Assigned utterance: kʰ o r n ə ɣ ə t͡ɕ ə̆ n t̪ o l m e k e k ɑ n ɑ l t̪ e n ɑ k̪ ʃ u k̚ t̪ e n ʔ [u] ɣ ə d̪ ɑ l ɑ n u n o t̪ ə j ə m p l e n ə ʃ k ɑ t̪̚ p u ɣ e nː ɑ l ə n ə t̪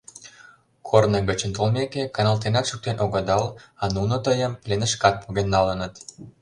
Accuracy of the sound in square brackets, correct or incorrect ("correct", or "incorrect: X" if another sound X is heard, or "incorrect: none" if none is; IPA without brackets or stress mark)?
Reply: incorrect: o